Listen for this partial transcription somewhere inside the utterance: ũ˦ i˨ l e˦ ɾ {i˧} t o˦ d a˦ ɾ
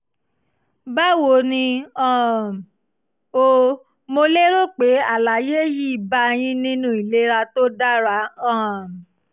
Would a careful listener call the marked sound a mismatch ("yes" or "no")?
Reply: yes